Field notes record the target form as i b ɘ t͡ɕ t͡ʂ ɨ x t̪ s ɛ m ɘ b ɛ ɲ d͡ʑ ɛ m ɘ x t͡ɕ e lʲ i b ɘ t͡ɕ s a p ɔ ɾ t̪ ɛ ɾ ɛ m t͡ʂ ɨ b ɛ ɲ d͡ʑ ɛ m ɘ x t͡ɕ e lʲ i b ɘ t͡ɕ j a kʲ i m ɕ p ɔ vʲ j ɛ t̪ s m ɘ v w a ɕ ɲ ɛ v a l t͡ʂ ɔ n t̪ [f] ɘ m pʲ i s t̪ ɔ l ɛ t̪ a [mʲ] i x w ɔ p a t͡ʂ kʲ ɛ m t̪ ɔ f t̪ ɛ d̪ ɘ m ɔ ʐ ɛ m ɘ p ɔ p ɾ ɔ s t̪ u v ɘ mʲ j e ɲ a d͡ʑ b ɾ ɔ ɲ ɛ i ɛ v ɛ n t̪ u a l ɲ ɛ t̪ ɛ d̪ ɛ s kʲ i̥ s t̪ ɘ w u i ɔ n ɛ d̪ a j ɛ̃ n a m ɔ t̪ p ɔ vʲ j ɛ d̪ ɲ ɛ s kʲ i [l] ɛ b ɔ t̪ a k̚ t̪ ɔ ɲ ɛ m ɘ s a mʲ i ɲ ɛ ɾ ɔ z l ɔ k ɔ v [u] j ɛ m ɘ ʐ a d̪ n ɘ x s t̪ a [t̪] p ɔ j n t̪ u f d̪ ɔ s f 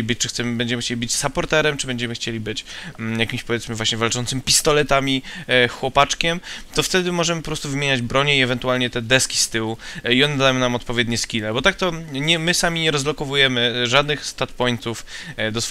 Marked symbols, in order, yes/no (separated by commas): no, yes, yes, yes, yes